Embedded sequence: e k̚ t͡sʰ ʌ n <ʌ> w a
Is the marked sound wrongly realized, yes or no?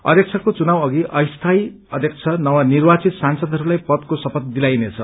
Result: no